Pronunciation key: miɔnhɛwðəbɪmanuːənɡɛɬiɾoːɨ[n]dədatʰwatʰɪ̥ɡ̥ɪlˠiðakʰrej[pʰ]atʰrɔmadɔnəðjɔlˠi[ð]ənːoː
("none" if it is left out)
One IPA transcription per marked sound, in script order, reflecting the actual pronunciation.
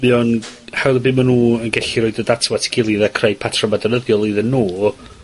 none, pʰ, ð

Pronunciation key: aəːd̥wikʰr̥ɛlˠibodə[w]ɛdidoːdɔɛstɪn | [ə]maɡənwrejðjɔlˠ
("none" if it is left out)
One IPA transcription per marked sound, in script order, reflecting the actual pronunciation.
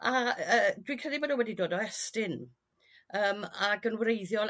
w, əː

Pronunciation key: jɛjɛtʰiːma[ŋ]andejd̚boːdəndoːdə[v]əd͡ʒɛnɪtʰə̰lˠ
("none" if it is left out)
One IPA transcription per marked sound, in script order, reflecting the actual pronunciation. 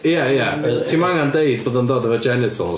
ŋ, v

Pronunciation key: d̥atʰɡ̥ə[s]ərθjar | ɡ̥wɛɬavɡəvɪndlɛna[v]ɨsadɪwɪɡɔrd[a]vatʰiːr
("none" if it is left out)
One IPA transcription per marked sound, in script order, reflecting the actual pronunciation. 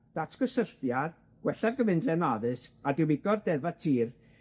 s, ð, ɛ

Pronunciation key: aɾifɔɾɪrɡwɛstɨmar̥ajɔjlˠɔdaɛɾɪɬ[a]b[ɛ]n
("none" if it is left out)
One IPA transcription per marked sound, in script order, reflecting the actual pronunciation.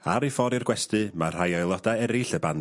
ə, a

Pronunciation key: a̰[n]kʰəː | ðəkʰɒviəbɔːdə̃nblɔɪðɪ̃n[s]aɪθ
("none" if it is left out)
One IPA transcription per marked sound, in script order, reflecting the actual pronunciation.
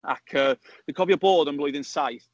none, s

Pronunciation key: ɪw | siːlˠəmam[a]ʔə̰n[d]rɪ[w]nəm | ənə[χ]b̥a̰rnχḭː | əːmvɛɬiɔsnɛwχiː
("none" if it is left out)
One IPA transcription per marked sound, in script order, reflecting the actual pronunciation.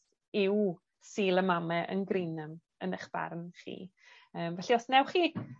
ɛ, ɡ, none, χ

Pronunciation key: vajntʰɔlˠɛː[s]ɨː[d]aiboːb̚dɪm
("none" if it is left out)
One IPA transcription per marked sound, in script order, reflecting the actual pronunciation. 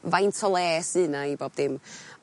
s, n

